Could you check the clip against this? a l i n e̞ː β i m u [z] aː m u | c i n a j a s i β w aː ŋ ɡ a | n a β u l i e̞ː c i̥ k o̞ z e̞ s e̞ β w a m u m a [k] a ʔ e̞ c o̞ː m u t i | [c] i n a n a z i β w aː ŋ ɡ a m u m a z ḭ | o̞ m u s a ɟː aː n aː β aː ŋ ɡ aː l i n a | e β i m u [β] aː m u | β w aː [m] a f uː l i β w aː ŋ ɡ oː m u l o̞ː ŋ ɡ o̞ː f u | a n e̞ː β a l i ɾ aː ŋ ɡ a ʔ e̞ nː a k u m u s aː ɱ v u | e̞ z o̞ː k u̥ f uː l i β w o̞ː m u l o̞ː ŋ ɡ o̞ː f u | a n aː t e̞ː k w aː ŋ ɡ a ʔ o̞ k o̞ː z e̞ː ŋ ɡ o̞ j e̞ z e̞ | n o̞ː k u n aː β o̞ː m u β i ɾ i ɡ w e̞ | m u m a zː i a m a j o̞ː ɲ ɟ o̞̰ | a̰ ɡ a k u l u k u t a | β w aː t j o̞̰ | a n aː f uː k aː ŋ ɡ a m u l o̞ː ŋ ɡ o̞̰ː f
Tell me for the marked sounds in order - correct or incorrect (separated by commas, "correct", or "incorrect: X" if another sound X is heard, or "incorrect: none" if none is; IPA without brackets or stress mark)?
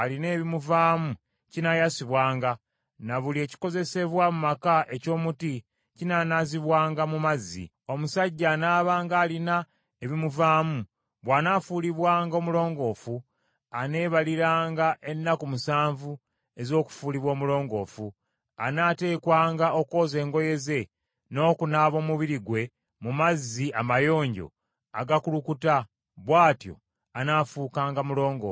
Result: incorrect: v, correct, correct, incorrect: v, incorrect: n